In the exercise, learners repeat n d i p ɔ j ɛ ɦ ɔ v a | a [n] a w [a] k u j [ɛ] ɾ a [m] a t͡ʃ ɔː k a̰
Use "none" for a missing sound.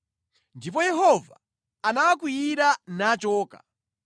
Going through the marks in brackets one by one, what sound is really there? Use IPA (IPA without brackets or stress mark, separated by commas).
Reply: n, a, i, n